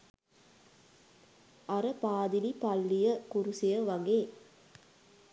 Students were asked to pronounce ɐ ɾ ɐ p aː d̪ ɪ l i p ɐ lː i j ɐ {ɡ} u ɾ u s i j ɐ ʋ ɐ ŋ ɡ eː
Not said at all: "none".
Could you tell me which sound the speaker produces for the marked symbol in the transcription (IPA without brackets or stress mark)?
k